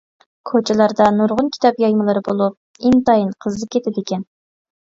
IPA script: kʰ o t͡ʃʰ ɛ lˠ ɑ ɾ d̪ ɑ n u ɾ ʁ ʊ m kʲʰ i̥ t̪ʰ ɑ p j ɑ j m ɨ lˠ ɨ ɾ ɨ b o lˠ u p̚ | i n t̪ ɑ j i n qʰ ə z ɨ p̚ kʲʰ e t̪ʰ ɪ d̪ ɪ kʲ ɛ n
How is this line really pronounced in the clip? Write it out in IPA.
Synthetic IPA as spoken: kʰ o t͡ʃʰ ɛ lˠ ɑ ɾ d̪ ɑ n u ɾ ʁ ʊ n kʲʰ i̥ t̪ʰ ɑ p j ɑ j m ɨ lˠ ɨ ɾ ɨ b o lˠ u p̚ | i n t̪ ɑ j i n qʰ ə z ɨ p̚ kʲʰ e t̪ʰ ɪ d̪ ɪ kʲ ɛ n